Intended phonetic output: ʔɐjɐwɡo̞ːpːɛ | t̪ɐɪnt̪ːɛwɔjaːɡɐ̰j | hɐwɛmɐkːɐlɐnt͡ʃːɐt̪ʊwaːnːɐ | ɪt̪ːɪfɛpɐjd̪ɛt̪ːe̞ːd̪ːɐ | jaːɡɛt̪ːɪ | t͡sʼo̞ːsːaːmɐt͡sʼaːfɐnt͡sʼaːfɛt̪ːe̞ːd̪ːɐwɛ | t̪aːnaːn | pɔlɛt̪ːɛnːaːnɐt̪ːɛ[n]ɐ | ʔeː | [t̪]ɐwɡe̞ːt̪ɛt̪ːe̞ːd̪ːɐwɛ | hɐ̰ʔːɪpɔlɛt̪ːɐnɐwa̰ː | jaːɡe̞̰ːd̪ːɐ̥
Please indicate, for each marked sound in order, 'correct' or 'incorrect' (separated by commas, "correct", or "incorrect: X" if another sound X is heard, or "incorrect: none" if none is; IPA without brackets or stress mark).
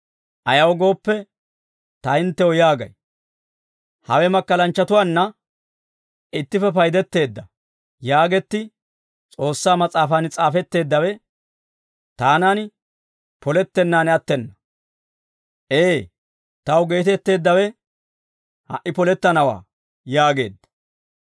incorrect: nː, correct